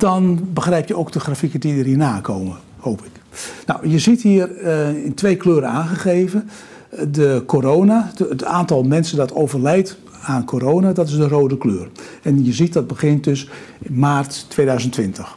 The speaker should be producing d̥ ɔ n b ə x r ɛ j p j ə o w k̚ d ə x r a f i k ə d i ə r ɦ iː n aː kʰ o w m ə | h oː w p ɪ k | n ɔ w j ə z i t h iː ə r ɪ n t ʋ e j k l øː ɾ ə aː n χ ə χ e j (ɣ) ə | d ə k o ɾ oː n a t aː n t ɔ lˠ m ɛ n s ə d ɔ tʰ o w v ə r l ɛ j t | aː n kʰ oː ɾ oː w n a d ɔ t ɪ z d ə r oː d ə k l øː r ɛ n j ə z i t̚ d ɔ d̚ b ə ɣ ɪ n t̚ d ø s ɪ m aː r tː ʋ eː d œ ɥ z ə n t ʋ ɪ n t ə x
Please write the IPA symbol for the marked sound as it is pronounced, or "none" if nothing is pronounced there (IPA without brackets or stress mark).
v